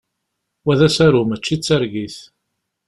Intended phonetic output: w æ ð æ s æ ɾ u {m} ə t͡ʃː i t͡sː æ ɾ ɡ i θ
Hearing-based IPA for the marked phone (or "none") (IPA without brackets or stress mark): m